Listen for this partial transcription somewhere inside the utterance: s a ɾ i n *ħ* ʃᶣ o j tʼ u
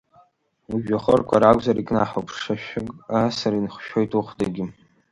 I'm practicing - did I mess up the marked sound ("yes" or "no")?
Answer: yes